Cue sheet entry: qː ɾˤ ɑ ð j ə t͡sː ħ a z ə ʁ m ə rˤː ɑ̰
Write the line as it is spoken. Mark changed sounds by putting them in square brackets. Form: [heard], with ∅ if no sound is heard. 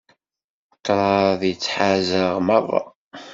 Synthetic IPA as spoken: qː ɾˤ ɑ ð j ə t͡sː ħ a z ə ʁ m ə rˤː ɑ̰